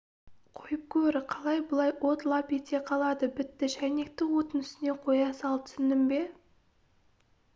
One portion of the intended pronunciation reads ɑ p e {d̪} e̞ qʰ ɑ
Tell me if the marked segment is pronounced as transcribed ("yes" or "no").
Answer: no